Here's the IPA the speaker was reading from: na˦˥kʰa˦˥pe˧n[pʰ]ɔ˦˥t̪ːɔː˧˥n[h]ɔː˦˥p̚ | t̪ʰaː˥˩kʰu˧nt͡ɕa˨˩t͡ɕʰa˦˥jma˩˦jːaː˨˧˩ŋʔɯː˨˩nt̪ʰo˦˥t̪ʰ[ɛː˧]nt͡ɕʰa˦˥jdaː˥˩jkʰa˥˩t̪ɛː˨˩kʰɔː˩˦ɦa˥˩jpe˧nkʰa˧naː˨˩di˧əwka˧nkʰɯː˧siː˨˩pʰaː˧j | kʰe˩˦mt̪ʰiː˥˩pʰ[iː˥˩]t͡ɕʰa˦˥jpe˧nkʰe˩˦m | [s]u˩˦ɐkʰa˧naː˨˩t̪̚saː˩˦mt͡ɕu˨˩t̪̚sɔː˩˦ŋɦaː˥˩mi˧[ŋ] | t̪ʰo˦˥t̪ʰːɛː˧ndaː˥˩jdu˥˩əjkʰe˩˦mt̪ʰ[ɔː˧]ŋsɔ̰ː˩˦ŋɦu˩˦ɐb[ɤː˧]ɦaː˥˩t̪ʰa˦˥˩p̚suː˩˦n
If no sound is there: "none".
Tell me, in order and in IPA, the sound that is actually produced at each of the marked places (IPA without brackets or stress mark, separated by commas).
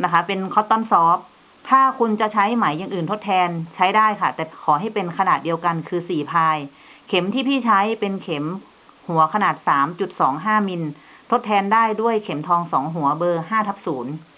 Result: kʰ, s, ɛː˧, iː˥˩, h, n, ɔː˧, ɤː˧